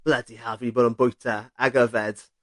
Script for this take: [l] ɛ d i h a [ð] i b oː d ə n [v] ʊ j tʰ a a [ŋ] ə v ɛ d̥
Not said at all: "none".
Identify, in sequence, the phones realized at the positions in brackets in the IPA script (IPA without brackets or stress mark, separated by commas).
l, v, b, ɡ